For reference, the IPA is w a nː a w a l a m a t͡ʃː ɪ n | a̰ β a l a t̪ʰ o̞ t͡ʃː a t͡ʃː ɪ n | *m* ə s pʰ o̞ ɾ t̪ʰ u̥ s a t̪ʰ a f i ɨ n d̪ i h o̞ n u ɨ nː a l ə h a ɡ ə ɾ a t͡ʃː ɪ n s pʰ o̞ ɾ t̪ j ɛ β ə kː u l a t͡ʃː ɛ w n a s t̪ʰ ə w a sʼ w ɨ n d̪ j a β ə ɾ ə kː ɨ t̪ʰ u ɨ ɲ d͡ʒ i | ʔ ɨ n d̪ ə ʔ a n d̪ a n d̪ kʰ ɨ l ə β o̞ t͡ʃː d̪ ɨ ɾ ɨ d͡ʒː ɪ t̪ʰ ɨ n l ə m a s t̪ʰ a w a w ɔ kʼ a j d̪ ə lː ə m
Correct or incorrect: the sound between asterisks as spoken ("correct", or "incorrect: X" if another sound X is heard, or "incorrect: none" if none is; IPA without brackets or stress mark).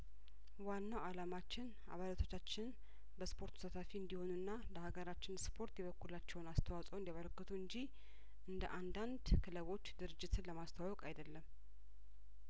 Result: incorrect: b